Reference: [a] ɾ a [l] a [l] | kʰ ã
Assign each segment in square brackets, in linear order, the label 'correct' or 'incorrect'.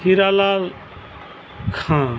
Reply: incorrect: i, correct, correct

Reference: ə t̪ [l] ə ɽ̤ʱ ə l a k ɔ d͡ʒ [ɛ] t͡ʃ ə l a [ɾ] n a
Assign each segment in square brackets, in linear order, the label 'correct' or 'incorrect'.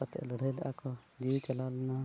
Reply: correct, incorrect: i, incorrect: l

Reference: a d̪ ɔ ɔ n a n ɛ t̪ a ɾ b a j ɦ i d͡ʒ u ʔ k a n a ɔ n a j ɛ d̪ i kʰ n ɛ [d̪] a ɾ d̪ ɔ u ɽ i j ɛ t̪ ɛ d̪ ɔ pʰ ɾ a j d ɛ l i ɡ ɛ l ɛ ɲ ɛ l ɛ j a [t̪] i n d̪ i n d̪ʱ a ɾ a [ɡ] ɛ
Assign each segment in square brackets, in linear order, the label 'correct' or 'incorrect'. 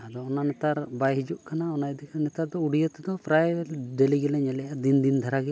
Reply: incorrect: t̪, incorrect: d̪, correct

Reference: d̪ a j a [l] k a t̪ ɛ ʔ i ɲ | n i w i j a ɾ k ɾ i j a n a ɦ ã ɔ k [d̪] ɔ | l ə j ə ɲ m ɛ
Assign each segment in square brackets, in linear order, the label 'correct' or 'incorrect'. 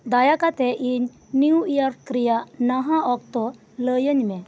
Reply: incorrect: none, incorrect: t̪

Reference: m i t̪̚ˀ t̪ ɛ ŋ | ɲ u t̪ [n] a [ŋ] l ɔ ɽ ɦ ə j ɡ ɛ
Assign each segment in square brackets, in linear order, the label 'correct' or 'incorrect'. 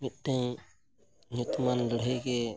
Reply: incorrect: m, incorrect: n

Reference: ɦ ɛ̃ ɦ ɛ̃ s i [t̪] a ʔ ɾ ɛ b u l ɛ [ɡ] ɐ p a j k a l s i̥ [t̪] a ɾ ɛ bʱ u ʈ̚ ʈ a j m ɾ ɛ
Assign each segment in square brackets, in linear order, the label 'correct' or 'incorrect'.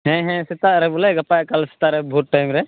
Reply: correct, correct, correct

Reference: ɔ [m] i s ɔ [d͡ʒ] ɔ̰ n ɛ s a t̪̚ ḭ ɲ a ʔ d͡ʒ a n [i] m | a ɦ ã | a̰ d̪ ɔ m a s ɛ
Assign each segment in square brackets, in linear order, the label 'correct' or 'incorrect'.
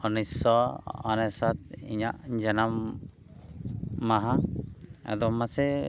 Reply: incorrect: n, incorrect: none, incorrect: a

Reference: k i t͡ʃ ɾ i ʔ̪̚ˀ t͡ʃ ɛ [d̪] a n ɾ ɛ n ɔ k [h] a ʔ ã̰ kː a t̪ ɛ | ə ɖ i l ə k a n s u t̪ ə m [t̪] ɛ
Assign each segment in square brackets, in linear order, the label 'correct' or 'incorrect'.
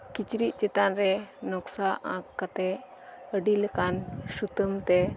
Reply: incorrect: t̪, incorrect: s, correct

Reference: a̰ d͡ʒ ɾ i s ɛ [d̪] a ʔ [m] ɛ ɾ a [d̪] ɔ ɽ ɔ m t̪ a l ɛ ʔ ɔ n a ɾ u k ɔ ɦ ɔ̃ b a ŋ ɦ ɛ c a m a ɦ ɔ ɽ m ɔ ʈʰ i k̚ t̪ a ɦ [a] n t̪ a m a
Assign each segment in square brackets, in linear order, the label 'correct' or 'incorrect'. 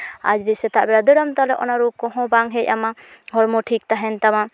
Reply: incorrect: t̪, incorrect: b, correct, incorrect: ɛ

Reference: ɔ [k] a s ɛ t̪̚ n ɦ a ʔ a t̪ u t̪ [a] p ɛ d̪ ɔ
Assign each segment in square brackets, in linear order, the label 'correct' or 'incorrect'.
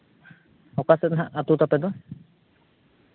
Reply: correct, correct

